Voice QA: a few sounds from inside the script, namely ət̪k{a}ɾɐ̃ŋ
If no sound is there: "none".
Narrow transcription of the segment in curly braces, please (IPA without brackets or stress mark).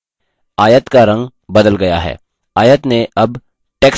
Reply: a